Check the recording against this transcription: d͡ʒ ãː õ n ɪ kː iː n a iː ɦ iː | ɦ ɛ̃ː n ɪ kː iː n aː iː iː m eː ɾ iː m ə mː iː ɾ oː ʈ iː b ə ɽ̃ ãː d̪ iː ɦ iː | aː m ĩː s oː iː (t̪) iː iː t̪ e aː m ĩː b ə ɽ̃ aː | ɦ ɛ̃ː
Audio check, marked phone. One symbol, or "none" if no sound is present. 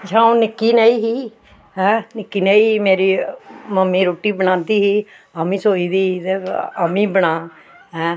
d̪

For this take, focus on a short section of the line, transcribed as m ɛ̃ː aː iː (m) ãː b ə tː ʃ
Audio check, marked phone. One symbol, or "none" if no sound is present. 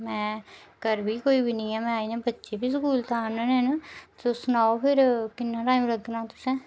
n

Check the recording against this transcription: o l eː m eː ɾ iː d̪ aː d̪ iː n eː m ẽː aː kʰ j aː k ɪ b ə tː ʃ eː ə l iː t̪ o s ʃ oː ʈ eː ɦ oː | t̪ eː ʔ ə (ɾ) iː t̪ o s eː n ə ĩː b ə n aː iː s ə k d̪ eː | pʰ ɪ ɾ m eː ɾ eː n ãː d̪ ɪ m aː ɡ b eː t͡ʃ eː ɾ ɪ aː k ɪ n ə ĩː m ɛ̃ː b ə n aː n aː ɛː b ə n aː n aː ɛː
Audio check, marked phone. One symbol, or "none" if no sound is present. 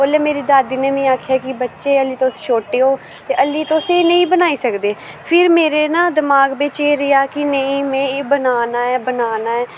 l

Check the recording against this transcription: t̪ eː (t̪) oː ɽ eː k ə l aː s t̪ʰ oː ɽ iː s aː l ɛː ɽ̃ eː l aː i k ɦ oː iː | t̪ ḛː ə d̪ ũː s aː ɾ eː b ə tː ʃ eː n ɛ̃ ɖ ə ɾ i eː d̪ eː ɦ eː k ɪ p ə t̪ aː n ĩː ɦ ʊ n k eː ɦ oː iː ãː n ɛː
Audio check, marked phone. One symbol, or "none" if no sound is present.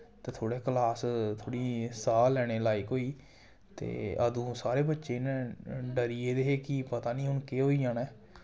t̪ʰ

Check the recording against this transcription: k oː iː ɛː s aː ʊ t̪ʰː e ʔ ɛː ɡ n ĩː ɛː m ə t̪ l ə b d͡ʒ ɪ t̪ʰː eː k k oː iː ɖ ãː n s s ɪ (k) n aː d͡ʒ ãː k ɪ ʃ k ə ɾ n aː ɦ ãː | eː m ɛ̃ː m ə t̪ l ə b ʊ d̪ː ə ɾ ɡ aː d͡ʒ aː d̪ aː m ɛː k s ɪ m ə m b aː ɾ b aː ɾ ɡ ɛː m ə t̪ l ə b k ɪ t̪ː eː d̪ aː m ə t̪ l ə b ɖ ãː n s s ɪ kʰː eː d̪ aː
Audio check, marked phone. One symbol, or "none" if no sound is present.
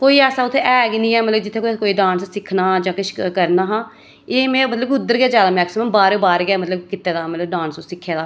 kʰ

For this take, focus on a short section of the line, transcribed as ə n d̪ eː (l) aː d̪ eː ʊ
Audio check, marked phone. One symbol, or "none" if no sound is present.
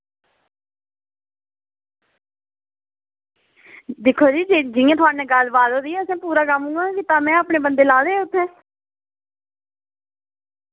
l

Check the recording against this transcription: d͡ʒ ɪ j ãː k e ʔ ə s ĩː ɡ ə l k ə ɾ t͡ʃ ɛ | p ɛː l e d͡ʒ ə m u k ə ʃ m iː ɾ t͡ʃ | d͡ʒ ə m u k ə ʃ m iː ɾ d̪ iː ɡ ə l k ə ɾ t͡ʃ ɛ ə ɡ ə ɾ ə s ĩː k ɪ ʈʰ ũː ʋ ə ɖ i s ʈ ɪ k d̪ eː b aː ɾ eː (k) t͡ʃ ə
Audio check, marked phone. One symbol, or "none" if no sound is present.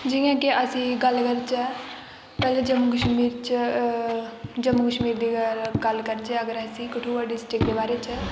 none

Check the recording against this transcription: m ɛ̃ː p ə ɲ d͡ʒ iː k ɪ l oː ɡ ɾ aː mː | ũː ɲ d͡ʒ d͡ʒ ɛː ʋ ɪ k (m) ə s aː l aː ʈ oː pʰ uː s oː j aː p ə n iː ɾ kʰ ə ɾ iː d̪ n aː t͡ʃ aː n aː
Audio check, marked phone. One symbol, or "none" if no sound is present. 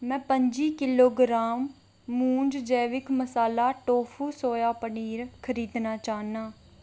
m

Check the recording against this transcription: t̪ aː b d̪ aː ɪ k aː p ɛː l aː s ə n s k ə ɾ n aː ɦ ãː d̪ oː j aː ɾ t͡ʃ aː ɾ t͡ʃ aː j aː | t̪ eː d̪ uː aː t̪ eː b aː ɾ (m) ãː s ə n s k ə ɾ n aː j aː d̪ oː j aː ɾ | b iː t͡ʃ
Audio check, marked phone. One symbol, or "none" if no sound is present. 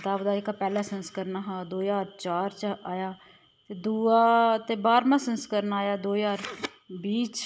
m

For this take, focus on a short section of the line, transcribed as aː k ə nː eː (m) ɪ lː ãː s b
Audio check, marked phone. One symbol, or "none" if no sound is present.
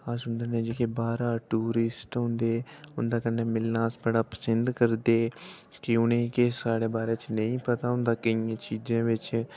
m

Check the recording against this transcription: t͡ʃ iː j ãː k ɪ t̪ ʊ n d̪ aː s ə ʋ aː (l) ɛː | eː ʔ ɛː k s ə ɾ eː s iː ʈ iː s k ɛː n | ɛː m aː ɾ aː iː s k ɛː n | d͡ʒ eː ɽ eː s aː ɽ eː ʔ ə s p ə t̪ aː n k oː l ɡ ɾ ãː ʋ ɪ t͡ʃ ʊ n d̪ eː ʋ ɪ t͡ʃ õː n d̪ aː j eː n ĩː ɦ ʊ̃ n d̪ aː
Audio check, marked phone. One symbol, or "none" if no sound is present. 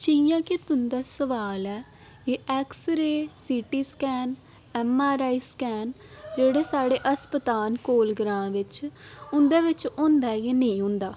l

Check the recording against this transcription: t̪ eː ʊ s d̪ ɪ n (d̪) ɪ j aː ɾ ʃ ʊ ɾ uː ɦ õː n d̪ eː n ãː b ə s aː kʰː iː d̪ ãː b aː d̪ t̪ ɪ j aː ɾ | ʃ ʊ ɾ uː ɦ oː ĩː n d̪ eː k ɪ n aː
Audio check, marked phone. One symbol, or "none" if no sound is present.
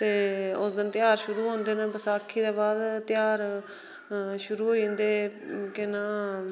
t̪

